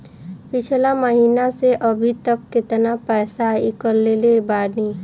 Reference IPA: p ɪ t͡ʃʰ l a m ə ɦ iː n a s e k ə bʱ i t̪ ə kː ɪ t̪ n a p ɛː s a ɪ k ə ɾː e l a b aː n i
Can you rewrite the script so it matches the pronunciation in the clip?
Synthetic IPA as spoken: p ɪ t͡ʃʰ l a m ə ɦ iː n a s e ʔ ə bʱ i t̪ ə kː ɪ t̪ n a p ɛː s a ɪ k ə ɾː e l e b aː n i